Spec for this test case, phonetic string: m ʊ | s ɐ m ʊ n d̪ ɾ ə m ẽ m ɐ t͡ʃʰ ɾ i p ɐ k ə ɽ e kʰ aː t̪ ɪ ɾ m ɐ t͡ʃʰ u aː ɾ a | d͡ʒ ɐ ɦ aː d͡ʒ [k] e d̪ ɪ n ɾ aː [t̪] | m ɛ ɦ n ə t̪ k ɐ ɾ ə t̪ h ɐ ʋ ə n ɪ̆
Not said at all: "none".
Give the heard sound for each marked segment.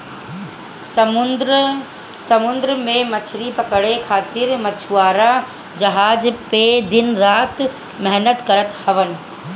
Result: p, t̪

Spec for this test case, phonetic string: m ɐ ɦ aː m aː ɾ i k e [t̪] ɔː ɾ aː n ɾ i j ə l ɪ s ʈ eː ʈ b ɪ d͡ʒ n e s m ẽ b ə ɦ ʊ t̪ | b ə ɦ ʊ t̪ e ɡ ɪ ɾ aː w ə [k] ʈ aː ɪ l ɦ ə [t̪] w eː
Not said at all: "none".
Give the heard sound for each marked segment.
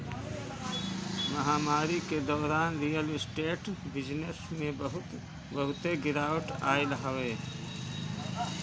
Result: d̪, none, none

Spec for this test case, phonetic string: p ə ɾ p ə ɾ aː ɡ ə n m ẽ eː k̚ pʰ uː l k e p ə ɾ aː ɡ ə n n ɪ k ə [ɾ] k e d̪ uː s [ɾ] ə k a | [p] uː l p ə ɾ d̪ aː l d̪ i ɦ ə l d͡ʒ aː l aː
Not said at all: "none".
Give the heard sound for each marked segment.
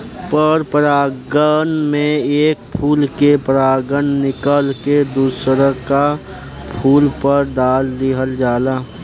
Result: l, ɾ, pʰ

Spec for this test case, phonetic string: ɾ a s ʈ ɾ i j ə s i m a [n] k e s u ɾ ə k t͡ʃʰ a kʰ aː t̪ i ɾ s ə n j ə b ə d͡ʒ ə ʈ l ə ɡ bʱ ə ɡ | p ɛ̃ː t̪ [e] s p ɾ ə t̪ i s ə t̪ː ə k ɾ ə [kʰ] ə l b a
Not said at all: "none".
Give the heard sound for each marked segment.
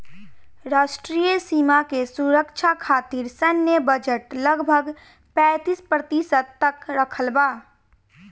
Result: none, i, kʰ

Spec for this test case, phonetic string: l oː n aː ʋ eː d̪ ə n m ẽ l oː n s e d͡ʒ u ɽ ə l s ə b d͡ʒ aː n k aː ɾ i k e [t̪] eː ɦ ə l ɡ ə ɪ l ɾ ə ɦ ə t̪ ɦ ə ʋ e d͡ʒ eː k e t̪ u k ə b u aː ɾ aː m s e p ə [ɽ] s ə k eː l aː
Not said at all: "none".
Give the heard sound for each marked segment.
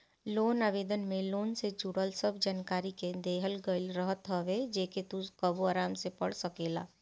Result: d̪, ɽ

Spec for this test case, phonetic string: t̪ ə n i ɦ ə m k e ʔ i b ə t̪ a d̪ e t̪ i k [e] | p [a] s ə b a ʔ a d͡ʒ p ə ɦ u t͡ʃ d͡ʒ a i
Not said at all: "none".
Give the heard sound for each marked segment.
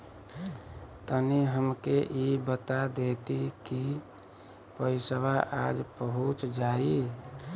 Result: i, ə

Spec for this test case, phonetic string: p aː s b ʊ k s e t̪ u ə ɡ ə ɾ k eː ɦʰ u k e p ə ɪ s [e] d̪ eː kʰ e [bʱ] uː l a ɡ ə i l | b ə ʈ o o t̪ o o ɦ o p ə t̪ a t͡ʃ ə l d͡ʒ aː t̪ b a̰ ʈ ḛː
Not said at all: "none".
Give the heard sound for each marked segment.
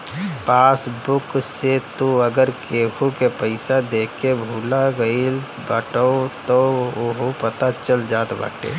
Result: a, bʱ

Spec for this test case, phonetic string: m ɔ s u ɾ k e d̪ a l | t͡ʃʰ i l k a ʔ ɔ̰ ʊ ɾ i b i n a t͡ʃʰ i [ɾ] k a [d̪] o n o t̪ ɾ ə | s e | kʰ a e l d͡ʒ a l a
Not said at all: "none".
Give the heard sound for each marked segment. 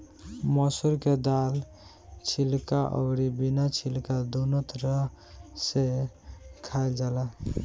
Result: l, d̪

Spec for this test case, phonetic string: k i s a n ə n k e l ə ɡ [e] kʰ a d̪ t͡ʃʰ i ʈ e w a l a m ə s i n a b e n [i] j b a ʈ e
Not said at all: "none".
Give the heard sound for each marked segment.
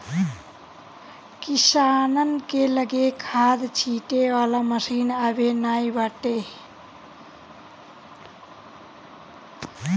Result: e, a

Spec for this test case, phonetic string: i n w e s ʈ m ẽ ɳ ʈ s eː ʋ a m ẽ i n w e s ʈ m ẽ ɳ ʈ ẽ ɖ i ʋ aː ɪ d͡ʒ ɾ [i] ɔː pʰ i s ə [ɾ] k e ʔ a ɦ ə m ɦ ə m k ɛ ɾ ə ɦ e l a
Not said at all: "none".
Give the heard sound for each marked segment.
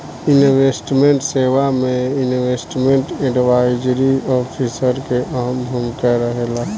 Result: i, ɾ

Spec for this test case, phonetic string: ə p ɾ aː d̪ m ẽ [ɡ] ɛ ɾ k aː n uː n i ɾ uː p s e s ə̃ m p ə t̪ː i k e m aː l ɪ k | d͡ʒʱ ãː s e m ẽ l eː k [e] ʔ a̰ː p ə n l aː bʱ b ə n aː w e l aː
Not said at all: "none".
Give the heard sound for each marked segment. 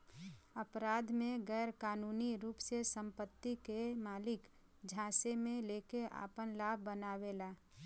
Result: ɡ, e

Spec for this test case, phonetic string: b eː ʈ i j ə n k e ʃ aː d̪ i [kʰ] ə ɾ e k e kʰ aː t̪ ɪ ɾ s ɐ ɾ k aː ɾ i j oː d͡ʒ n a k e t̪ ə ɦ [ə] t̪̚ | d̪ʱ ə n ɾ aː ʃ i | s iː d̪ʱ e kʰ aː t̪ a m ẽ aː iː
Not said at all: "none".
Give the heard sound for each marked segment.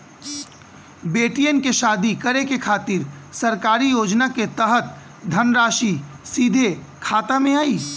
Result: k, ə

